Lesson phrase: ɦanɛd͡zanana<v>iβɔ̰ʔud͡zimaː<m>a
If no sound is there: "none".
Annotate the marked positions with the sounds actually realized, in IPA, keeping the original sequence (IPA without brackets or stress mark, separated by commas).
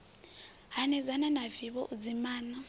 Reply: v, n